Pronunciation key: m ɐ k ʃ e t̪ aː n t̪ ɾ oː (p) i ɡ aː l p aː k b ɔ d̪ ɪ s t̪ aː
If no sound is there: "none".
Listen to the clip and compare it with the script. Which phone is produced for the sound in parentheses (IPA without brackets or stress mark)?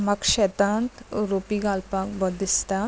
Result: p